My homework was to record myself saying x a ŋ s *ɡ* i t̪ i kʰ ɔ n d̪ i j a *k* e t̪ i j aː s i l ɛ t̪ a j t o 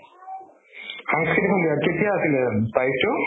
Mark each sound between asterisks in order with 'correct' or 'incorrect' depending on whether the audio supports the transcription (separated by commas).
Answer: incorrect, correct